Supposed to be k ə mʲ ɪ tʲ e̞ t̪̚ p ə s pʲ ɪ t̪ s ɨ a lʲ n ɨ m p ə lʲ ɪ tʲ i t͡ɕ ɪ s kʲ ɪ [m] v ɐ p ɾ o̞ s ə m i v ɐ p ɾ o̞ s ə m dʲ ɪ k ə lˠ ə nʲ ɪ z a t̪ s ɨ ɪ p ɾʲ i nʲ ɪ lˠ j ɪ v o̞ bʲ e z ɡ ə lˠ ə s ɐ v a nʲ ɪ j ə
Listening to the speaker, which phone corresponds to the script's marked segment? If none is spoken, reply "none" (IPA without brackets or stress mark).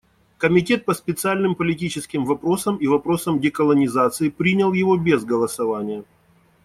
m